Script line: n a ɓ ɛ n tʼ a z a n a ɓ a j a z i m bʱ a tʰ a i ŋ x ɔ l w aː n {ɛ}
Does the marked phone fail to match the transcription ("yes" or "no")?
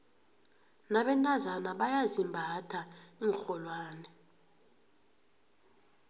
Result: no